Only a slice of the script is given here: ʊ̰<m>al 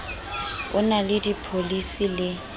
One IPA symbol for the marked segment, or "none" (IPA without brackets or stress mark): n